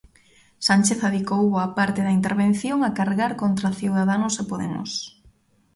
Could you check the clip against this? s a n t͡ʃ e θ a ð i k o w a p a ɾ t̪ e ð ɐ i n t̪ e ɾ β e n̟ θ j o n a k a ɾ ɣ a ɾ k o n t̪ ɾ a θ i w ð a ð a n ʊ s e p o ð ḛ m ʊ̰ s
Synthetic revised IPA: s a n t͡ʃ e θ a ð i k o w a p a ɾ t̪ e ð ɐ i n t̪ e ɾ β e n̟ θ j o ŋ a k a ɾ ɣ a ɾ k o n t̪ ɾ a θ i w ð a ð a n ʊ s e p o ð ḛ m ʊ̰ s